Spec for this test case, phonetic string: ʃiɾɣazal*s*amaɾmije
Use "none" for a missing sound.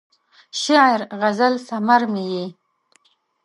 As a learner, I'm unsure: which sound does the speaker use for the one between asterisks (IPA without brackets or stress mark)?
s